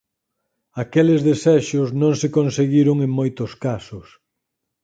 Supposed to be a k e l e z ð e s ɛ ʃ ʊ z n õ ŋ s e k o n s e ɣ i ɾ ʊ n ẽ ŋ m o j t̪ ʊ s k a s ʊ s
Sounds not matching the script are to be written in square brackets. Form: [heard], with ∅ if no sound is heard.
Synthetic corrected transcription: a k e l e z ð e s ɛ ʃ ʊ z n õ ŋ s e k o n s e ɣ i ɾ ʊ [ŋ] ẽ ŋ m o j t̪ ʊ s k a s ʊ s